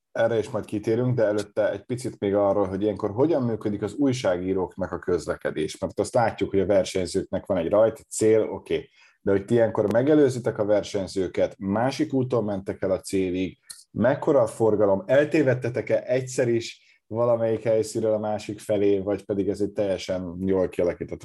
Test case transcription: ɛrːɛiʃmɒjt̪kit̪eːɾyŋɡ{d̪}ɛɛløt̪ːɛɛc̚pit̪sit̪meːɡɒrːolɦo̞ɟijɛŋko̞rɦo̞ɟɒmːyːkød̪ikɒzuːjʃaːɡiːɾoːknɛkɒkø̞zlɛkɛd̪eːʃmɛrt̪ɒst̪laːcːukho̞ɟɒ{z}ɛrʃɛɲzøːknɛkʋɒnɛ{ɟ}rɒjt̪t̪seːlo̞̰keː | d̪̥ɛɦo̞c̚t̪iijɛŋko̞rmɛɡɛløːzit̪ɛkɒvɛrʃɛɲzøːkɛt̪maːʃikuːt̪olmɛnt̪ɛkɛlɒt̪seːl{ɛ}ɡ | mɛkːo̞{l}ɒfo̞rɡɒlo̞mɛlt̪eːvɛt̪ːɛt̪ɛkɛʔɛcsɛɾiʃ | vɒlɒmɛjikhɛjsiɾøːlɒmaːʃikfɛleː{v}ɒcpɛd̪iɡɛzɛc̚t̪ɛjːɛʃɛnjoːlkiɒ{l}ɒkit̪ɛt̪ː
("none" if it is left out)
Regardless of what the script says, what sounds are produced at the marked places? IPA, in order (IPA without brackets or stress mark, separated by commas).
d̪, v, ɟ, i, ɾ, v, l